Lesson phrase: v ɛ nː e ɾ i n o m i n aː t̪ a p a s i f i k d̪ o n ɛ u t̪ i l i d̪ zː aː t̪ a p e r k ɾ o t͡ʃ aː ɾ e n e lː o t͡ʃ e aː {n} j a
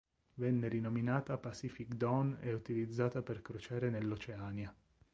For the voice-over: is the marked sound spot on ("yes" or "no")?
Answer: yes